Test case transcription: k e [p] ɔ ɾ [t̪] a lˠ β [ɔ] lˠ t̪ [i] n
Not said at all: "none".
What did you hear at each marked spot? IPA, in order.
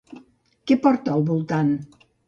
p, t̪, u, a

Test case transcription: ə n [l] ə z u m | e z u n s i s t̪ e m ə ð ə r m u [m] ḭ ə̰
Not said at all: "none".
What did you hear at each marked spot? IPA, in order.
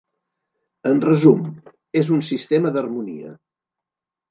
r, n

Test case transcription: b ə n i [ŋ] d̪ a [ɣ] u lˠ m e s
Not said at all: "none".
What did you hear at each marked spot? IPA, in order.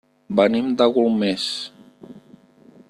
m, ɣ

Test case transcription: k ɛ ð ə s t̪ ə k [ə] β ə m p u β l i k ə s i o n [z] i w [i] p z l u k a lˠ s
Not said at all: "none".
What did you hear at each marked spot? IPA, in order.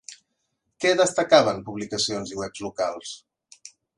a, z, ɛ

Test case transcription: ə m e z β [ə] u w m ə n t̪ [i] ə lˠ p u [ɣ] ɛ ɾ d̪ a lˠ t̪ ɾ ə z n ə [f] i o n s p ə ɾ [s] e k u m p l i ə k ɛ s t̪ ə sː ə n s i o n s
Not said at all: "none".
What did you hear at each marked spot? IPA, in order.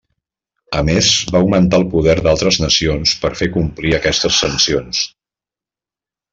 a, a, ð, s, f

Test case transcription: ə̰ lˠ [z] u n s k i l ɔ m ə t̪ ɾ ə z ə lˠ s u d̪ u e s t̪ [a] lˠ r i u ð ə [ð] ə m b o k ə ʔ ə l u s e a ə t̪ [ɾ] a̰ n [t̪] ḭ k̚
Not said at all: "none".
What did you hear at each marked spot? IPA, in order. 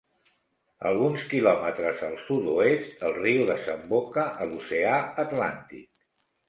ɣ, ə, z, l, t̪

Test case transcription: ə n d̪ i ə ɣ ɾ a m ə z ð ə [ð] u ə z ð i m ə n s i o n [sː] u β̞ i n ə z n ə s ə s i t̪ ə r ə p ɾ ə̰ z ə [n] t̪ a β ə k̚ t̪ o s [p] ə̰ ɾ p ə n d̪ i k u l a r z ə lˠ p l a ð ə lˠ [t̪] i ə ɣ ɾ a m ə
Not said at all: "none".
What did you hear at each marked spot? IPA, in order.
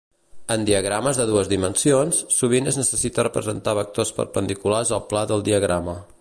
ð, sː, n, p, d̪

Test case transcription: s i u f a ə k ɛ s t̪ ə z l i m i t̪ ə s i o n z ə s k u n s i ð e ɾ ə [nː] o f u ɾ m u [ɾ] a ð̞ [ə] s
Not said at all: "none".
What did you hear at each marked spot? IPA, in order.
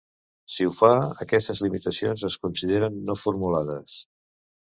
nː, l, ə

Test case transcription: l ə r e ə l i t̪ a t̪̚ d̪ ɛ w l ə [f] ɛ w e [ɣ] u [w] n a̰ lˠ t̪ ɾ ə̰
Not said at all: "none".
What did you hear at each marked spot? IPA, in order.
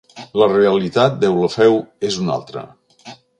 f, z, none

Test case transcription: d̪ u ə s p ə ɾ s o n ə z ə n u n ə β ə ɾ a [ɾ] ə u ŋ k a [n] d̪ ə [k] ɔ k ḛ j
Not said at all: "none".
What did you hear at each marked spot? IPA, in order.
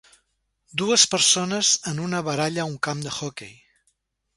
ʎ, m, x

